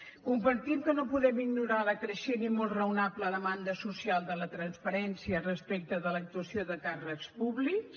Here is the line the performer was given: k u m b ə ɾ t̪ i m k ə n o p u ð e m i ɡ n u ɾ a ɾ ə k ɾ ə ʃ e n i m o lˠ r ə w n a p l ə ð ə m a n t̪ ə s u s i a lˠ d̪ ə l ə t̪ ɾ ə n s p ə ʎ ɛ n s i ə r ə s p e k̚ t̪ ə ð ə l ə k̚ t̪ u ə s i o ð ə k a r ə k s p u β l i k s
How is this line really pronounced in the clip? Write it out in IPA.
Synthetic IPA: k u m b ə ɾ t̪ i m k ə n o p u ð ɛ m i ɡ n u ɾ a l ə k ɾ ə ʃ e n i m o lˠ r ə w n a p l ə ð ə m a n d̪ ə s u s i a lˠ d̪ ə l ə t̪ ɾ ə n s p ə ɾ ɛ n s i ə r ə s p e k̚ t̪ ə ð ə l ə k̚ t̪ u ə s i o ð ə k a r ə k s p u β l i k s